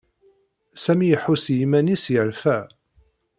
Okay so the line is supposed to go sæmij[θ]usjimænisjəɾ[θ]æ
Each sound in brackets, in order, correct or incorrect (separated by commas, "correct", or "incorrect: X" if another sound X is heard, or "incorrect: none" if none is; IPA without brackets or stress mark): incorrect: ħ, incorrect: f